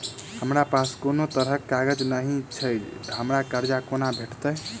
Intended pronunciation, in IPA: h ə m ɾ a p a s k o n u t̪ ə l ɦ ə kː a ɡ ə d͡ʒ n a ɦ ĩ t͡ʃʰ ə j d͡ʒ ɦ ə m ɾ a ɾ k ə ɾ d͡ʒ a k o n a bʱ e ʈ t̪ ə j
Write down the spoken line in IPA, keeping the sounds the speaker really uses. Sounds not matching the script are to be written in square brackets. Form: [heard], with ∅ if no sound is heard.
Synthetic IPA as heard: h ə m ɾ a p a s k o n [o] t̪ ə [ɾ] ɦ ə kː a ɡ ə d͡ʒ n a ɦ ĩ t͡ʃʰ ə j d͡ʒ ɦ ə m ɾ a [∅] k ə ɾ d͡ʒ a k o n a bʱ e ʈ t̪ ə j